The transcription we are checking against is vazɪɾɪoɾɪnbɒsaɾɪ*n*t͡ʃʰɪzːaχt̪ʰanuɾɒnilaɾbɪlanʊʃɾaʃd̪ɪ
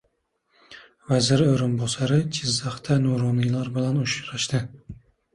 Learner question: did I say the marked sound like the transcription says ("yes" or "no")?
no